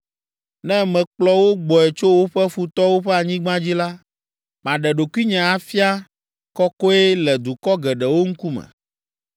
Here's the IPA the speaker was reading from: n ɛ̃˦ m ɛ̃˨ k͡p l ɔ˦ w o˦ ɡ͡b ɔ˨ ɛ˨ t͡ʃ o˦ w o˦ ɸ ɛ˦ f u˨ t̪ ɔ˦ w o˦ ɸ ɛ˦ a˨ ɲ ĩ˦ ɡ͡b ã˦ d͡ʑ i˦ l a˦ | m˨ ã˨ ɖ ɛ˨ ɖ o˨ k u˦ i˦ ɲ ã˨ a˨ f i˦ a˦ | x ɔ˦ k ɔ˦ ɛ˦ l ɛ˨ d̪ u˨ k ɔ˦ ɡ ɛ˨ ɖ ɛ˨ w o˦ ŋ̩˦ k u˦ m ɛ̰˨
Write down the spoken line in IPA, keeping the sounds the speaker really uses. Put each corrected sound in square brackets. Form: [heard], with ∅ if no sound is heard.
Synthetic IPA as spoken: n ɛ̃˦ m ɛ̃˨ k͡p l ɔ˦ w o˦ ɡ͡b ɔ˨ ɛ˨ t͡ʃ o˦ w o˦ ɸ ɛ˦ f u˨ t̪ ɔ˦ w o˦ ɸ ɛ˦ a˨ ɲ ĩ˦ ɡ͡b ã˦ d͡ʑ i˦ l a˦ | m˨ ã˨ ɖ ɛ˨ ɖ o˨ k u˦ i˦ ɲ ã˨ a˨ f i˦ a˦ | [k] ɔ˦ k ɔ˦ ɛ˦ l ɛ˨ d̪ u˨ k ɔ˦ ɡ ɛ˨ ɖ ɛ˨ w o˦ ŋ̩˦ k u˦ m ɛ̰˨